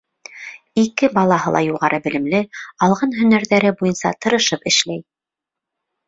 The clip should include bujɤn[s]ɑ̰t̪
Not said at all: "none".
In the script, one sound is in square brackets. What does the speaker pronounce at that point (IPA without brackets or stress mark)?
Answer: s